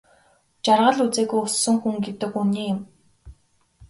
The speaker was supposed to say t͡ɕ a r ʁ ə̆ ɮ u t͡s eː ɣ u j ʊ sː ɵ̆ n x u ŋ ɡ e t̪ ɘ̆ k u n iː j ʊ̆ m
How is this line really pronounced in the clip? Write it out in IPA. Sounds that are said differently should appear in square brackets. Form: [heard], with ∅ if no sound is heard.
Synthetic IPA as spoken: t͡ɕ a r ʁ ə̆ ɮ u t͡s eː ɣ u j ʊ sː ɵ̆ [ŋ] x u ŋ ɡ e t̪ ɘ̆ k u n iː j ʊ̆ m